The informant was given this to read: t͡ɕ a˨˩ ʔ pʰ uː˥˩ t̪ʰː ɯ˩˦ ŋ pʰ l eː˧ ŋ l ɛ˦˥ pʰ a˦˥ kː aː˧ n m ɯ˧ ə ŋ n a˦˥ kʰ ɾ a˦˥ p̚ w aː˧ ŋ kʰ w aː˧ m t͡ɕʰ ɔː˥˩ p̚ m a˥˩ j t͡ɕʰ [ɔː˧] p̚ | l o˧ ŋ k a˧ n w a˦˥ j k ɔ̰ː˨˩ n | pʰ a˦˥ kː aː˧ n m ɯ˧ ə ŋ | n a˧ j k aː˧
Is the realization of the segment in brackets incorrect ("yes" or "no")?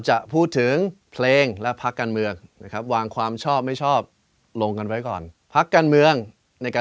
yes